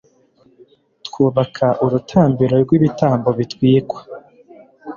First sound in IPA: t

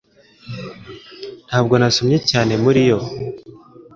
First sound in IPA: n̥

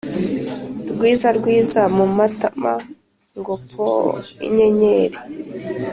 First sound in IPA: ɾ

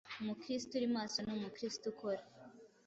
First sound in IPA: m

